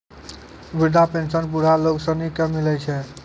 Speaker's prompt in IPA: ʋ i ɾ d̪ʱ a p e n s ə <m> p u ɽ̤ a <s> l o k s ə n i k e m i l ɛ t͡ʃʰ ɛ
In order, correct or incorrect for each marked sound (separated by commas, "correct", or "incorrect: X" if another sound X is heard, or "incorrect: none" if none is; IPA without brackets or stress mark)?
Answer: incorrect: n, incorrect: none